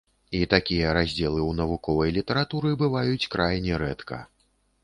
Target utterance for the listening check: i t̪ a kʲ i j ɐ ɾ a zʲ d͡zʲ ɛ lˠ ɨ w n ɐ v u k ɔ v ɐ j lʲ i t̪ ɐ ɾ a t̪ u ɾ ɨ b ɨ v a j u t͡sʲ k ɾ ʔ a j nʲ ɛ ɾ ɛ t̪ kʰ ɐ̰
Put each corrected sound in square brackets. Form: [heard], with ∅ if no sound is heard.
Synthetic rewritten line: i t̪ a kʲ i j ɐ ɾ a zʲ d͡zʲ ɛ lˠ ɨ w n ɐ v u k ɔ v ɐ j lʲ i t̪ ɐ ɾ a t̪ u ɾ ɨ b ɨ v a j u t͡sʲ k ɾ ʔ a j nʲ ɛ ɾ ɛ t̪ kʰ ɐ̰